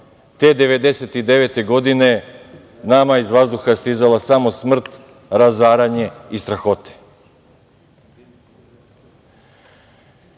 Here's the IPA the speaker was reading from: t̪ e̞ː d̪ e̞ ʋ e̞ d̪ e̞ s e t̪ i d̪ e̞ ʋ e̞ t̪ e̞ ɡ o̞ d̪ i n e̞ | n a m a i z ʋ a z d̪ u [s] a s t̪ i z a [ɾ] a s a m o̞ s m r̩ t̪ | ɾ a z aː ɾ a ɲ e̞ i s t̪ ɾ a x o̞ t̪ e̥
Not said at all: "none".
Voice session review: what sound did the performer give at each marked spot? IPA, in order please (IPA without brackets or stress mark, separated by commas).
x, l